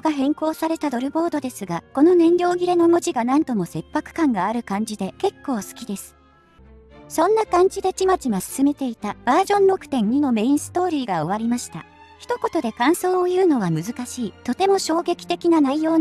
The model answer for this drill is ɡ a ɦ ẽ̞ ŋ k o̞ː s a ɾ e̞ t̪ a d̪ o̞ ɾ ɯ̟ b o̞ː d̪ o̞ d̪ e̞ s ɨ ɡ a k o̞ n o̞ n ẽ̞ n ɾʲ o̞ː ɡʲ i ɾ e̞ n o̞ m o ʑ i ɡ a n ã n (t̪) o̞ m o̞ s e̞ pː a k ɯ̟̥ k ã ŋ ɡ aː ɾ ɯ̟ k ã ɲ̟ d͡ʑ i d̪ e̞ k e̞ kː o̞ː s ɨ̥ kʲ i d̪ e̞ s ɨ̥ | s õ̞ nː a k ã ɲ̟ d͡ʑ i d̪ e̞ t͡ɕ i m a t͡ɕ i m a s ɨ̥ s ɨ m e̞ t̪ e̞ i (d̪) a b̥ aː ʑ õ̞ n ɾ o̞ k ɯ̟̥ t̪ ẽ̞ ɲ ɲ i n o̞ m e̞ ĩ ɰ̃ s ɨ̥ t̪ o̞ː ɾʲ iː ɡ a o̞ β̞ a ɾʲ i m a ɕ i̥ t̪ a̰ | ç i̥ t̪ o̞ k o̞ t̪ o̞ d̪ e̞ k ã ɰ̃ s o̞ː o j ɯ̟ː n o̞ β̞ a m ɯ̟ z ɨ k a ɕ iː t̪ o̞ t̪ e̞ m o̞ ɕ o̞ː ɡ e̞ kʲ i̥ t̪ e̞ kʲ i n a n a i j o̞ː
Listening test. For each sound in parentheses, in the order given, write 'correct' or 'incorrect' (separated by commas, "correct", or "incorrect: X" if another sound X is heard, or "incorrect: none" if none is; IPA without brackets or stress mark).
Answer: correct, incorrect: t̪